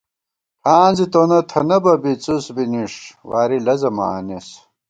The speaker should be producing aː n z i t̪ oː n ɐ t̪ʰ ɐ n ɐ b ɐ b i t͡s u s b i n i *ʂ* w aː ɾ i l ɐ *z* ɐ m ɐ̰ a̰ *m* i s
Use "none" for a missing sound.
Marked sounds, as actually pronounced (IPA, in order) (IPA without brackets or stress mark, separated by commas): ʂ, z, n